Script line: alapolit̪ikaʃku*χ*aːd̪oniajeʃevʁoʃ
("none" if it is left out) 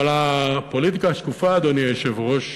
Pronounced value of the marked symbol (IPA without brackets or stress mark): f